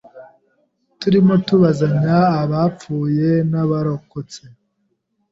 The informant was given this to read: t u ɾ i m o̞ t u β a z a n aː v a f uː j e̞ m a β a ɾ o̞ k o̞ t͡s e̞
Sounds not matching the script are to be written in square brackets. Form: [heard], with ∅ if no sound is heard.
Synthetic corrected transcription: t u ɾ i m o̞ t u β a z a [ɲ] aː [β] a [p͡f] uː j e̞ [n] a β a ɾ o̞ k o̞ t͡s e̞